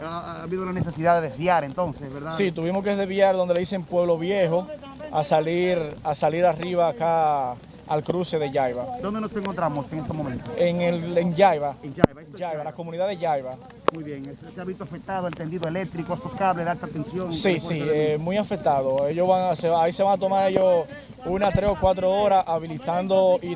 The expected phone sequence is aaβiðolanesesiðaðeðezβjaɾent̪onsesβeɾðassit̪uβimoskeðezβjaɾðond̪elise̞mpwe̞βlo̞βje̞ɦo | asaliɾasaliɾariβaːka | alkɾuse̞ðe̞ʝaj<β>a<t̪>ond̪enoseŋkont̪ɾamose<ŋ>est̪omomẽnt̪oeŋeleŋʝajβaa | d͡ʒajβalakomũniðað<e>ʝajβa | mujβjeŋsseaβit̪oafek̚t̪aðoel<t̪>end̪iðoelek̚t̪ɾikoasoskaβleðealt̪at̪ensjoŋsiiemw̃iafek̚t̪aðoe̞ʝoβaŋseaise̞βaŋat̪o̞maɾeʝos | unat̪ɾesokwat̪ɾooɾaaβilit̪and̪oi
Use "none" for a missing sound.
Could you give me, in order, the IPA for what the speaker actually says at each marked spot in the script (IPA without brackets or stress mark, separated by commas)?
β, d̪, ŋ, e, t̪